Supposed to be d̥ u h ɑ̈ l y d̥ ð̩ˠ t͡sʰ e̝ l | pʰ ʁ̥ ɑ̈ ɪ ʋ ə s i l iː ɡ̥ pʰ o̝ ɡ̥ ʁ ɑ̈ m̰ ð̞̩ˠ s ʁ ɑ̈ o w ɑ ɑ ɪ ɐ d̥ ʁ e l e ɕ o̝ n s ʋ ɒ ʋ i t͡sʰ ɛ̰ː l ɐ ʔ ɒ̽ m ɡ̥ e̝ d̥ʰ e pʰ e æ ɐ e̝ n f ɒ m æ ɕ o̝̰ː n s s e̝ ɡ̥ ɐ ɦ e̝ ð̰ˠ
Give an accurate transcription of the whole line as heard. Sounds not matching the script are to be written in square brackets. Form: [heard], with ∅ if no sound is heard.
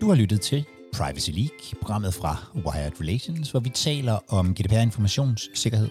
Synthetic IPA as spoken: d̥ u h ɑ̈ l y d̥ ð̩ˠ t͡sʰ e̝ l | pʰ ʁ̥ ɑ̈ ɪ ʋ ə s i l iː ɡ̥ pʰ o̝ ɡ̥ ʁ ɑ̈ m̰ ð̞̩ˠ [f] ʁ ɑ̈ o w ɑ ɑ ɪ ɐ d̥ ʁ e l e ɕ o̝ n s ʋ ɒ ʋ i t͡sʰ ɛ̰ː l ɐ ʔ ɒ̽ m ɡ̥ e̝ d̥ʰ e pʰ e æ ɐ e̝ n f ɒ m æ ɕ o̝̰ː n s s e̝ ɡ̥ ɐ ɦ e̝ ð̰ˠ